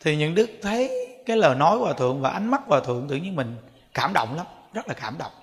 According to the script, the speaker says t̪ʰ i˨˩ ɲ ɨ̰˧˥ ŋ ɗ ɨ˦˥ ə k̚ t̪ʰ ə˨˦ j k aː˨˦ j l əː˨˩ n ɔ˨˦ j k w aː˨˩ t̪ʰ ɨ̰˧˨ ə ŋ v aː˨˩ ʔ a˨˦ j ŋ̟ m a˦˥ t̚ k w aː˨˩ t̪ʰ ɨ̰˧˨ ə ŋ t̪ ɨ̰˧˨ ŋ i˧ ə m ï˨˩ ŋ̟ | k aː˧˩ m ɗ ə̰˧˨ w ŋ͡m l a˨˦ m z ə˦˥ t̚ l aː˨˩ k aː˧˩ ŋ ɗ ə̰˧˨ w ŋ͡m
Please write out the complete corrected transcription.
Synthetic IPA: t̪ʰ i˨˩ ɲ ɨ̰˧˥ ŋ ɗ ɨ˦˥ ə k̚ t̪ʰ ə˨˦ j k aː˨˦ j l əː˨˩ n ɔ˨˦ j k w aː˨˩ t̪ʰ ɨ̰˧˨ ə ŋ v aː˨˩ ʔ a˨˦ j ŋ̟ m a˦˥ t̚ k w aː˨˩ t̪ʰ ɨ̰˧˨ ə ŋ t̪ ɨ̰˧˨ ɲ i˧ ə m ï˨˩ ŋ̟ | k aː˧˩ m ɗ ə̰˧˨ w ŋ͡m l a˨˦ m z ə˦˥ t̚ l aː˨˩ k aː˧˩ m ɗ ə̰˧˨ w ŋ͡m